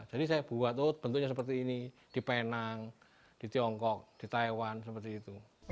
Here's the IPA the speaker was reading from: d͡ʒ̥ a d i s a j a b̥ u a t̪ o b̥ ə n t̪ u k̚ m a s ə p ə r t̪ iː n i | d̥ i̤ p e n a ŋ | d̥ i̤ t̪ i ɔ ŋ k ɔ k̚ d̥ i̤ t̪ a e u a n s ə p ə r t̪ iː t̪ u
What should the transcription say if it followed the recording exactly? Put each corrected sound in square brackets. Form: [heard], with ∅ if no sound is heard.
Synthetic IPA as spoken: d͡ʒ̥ a d i s a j a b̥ u a t̪ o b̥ ə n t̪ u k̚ [ɲ] a s ə p ə r t̪ iː n i | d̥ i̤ p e n a ŋ | d̥ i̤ t̪ i ɔ ŋ k ɔ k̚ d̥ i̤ t̪ a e [w] a n s ə p ə r t̪ iː t̪ u